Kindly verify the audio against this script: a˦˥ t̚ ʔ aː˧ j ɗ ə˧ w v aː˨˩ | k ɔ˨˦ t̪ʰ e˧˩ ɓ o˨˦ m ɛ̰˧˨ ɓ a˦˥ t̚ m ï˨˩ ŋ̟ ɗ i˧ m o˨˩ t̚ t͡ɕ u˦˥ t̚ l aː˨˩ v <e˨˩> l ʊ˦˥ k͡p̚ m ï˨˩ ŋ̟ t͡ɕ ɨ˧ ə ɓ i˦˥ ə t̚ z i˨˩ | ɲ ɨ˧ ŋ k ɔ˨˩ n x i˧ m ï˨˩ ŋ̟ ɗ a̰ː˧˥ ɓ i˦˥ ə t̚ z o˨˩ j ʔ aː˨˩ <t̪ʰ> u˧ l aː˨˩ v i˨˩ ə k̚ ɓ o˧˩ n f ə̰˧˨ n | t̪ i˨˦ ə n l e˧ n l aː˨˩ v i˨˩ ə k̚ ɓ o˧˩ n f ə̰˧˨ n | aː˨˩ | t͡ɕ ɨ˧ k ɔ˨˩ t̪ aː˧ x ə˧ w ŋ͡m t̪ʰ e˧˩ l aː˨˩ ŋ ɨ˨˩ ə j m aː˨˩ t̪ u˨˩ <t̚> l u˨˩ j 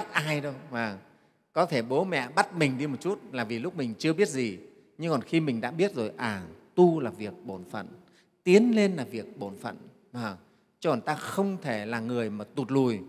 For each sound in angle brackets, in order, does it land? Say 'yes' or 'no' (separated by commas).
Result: no, no, yes